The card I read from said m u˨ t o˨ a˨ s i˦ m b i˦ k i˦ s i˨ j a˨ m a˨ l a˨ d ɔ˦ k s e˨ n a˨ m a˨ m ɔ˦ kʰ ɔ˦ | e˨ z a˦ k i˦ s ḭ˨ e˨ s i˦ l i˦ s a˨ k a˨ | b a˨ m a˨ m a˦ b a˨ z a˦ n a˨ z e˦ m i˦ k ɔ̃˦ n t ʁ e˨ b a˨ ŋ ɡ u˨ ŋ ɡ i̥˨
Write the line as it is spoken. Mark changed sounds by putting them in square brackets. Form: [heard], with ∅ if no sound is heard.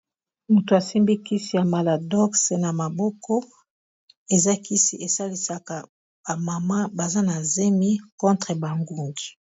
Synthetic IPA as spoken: m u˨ t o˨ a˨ s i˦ m b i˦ k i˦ s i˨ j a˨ m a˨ l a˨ d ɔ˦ k s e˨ n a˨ m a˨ [b] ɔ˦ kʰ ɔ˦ | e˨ z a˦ k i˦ s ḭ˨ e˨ s [a˦] l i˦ s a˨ k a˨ | b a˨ m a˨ m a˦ b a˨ z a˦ n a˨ z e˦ m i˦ k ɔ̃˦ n t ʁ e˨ b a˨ ŋ ɡ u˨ ŋ ɡ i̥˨